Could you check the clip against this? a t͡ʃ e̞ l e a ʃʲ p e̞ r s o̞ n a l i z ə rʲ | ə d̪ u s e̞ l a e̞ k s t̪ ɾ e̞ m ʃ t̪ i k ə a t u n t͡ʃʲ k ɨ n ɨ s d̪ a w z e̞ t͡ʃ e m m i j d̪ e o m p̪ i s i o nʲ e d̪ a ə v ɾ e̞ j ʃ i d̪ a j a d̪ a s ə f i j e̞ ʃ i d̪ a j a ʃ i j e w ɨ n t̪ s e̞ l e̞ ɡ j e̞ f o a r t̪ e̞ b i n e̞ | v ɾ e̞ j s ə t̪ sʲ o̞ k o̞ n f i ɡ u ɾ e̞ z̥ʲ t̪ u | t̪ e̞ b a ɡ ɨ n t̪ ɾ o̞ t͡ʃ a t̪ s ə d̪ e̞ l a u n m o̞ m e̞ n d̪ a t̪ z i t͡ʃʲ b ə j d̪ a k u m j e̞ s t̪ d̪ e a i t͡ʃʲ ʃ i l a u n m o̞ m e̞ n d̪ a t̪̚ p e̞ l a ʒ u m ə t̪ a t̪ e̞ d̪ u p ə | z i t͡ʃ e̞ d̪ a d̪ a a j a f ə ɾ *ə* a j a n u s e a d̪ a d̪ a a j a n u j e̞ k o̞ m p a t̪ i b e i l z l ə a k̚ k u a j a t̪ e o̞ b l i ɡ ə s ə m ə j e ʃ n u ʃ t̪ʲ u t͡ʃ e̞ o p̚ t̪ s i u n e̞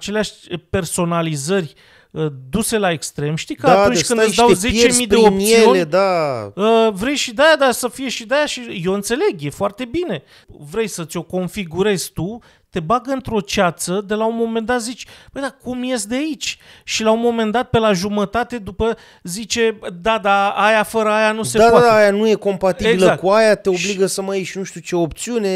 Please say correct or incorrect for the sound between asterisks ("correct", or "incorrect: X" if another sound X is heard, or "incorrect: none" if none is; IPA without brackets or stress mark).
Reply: correct